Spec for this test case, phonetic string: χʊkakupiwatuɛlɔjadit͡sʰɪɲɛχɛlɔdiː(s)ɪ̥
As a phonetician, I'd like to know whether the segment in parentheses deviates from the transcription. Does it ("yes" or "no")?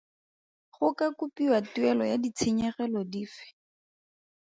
yes